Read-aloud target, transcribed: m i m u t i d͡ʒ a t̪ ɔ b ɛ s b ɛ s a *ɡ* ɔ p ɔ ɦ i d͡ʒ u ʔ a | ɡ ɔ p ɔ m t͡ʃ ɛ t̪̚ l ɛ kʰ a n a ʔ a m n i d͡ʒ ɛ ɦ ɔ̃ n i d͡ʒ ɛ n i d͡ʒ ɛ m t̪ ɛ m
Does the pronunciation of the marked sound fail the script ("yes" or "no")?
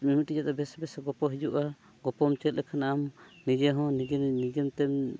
no